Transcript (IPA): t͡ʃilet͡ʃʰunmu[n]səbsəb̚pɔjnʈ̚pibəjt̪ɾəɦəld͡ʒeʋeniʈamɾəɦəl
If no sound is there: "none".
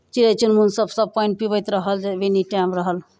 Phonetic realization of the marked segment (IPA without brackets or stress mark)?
n